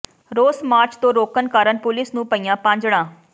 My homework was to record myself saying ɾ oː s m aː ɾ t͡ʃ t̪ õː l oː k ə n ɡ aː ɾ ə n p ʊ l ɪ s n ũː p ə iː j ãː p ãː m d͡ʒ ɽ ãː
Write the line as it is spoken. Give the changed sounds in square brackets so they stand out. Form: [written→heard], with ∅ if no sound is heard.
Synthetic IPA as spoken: ɾ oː s m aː ɾ t͡ʃ t̪ õː [l→ɾ] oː k ə n [ɡ→k] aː ɾ ə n p ʊ l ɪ s n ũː p ə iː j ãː p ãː [m→ɲ] d͡ʒ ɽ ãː